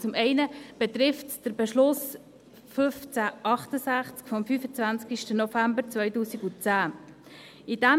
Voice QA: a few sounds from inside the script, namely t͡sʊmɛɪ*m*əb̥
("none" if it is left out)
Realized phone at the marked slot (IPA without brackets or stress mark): n